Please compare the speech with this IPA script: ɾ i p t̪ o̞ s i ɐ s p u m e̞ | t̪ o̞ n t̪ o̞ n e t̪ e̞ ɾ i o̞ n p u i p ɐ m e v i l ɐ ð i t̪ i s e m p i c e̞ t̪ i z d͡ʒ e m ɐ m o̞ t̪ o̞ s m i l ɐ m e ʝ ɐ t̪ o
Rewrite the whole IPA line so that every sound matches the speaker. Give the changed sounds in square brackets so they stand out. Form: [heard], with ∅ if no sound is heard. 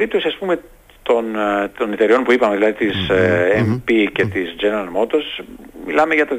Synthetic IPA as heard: ɾ i p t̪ o̞ s i ɐ s p u m e̞ | t̪ o̞ n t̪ o̞ n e t̪ e̞ ɾ i o̞ n p u i p ɐ m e [ð] i l ɐ ð i t̪ i s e m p i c e̞ t̪ i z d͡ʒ e [n] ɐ m o̞ t̪ o̞ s m i l ɐ m e ʝ ɐ t̪ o